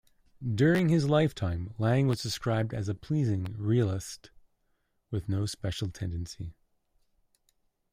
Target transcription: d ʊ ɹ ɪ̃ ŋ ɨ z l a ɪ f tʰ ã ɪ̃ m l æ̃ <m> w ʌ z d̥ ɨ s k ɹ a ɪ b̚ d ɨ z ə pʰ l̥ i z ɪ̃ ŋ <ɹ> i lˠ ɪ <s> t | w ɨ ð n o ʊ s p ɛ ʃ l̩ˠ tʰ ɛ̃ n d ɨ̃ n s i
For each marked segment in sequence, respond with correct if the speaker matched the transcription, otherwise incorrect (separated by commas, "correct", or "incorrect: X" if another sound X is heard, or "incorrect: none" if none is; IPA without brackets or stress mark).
incorrect: ŋ, correct, correct